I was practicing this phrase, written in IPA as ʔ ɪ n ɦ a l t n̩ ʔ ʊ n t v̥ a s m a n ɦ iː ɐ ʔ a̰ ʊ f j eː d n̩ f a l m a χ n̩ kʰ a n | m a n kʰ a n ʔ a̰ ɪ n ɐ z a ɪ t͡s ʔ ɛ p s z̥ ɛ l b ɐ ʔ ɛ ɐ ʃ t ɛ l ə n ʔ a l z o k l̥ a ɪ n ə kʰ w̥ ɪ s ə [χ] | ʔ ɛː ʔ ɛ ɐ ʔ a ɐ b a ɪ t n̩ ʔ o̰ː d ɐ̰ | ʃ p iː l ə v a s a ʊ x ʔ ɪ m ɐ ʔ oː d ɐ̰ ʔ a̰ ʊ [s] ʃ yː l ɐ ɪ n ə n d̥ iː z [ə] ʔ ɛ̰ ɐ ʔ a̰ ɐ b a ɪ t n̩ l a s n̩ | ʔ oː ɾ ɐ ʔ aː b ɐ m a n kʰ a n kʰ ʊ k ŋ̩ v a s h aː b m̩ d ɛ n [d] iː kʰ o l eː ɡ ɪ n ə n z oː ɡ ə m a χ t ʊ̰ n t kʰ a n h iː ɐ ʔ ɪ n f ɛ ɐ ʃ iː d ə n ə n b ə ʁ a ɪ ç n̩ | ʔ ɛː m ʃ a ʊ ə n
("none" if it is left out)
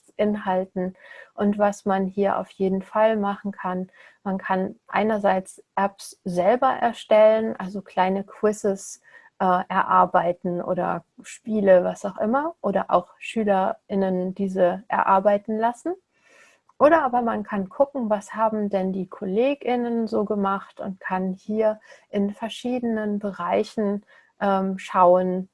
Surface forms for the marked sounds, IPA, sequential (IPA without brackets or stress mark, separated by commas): s, x, ə, d